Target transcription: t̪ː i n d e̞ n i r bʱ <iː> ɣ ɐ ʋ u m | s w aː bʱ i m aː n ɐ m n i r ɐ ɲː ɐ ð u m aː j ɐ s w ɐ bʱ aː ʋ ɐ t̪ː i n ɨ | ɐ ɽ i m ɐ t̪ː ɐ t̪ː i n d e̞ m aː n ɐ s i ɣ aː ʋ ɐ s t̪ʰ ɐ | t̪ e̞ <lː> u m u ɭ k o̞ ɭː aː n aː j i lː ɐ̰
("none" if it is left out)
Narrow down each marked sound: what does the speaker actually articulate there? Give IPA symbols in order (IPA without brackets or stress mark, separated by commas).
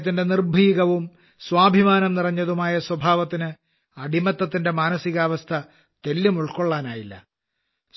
iː, lː